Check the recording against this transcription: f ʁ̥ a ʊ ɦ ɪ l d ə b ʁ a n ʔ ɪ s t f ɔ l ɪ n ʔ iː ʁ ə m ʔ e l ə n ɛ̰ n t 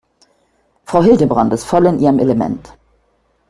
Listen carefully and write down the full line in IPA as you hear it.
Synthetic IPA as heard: f ʁ̥ a ʊ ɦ ɪ l d ə b ʁ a n t ɪ s t f ɔ l ɪ n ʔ iː ʁ ə m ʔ e l ə m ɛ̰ n t